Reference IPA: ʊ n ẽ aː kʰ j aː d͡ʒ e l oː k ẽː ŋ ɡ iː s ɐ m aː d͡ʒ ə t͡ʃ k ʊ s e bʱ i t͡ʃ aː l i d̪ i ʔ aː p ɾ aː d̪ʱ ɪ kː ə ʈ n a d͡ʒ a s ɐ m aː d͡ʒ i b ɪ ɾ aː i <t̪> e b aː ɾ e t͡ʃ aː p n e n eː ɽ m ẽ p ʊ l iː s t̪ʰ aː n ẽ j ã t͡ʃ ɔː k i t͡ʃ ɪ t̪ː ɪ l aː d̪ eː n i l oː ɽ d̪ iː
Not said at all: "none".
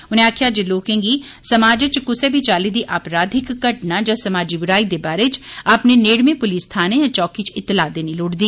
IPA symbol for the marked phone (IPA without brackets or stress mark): d̪